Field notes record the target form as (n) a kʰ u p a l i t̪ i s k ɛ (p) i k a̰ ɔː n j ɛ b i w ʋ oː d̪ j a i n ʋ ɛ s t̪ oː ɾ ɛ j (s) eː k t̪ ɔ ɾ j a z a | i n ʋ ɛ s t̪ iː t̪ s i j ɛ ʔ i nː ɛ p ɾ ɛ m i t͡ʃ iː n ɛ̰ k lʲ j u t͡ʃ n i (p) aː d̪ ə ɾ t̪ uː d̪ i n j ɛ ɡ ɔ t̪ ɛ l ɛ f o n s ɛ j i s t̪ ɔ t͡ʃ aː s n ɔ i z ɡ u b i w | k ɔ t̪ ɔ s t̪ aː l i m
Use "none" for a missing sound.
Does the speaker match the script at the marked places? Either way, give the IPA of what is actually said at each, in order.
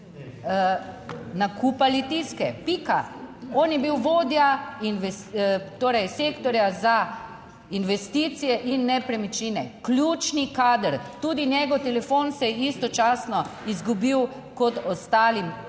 n, p, s, k

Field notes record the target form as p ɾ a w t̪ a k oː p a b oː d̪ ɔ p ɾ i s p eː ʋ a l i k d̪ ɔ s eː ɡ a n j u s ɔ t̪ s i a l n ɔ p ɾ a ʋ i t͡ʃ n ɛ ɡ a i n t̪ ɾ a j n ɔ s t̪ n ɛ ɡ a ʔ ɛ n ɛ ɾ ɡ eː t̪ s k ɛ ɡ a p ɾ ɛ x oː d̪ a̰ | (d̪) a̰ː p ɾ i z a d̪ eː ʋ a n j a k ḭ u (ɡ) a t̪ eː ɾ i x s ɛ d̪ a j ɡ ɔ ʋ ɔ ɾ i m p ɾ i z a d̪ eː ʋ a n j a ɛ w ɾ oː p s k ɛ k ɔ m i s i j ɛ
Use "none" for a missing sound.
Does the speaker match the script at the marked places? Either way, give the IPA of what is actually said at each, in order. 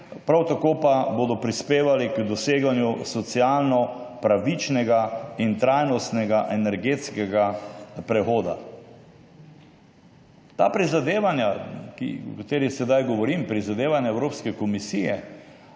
t̪, k

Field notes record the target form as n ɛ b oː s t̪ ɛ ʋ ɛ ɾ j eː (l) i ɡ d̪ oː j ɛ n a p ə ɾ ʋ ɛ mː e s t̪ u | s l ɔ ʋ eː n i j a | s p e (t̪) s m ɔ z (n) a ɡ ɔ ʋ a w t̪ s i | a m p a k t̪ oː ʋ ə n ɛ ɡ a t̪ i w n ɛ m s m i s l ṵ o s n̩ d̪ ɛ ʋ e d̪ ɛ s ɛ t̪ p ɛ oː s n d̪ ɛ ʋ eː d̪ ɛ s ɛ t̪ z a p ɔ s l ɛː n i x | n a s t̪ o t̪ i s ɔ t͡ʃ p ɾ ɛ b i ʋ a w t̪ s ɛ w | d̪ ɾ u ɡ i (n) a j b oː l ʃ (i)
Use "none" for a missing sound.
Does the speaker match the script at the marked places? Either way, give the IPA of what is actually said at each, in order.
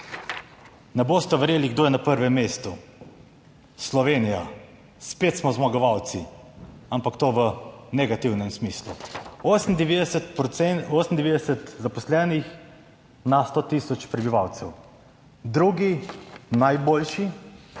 l, t̪, m, n, i

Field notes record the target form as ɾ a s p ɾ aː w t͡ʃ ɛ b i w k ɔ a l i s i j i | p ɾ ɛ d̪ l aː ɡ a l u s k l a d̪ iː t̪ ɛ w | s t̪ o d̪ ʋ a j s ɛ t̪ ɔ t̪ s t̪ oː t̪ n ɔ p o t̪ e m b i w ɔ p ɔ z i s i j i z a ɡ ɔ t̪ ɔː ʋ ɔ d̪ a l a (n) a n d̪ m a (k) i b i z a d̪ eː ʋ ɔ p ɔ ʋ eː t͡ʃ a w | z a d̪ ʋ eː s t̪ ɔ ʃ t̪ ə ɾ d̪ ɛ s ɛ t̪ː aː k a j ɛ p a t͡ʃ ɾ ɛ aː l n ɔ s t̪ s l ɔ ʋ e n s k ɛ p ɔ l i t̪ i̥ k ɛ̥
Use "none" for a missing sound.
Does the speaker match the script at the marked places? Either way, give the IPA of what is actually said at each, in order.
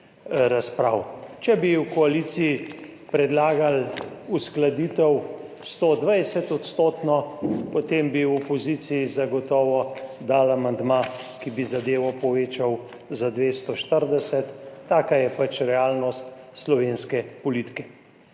m, k

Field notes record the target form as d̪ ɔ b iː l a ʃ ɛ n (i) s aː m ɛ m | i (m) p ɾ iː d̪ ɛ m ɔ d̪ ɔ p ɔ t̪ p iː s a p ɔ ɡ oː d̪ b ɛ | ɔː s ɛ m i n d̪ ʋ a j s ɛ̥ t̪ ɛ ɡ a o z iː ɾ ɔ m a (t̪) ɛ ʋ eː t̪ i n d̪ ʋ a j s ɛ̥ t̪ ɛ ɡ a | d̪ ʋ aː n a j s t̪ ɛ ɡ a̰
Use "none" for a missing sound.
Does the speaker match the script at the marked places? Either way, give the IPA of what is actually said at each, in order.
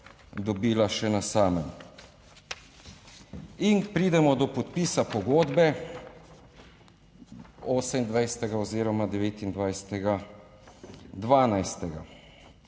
a, n, d̪

